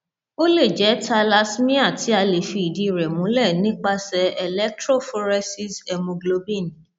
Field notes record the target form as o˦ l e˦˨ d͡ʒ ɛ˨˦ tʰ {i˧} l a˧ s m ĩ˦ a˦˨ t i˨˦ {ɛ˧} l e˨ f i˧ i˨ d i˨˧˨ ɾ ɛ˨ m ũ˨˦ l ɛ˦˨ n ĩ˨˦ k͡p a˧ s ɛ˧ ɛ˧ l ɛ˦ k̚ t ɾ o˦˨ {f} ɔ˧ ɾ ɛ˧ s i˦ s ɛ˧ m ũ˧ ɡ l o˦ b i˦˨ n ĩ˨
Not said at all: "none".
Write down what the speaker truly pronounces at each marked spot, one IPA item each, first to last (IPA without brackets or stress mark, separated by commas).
a˧, a˧, f